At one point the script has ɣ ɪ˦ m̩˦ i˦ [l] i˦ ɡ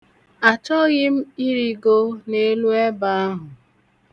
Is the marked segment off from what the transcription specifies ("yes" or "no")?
yes